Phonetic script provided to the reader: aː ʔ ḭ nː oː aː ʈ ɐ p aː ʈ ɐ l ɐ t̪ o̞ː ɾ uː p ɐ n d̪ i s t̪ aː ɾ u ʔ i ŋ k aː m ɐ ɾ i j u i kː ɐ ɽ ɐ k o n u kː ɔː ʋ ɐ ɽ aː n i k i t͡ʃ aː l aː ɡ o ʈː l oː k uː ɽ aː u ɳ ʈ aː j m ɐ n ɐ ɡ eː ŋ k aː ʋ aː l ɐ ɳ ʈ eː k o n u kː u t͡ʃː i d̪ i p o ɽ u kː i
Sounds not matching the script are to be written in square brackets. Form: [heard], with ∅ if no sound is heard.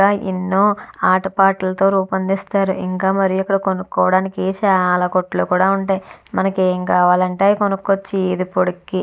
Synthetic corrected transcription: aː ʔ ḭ nː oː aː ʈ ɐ p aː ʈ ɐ l ɐ t̪ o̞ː ɾ uː p ɐ n d̪ i s t̪ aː ɾ u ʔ i ŋ k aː m ɐ ɾ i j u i kː ɐ ɽ ɐ k o n u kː ɔː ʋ ɐ ɽ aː n i k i t͡ʃ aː l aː [k] o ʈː l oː k uː ɽ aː u ɳ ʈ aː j m ɐ n ɐ [k] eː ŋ k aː ʋ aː l ɐ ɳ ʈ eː k o n u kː [o] t͡ʃː i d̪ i p o ɽ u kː i